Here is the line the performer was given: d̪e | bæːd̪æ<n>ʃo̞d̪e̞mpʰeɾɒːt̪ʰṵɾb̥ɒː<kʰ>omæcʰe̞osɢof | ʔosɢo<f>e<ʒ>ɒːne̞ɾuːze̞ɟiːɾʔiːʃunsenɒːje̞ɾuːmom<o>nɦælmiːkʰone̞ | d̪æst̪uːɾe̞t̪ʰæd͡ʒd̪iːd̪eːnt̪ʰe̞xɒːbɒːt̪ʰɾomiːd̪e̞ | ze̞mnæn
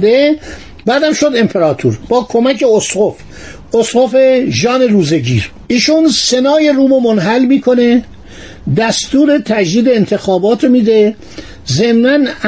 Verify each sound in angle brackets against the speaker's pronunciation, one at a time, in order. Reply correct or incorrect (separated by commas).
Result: incorrect, correct, correct, correct, correct